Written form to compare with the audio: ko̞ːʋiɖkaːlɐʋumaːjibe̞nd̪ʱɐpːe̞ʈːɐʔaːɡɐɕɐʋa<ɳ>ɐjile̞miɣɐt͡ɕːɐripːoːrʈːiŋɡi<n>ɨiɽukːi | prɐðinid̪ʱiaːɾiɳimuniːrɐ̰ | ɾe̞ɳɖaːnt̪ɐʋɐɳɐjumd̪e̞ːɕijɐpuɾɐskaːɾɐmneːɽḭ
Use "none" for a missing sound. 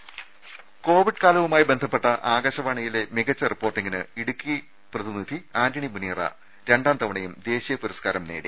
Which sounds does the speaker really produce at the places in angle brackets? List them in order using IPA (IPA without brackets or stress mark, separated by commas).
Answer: ɳ, n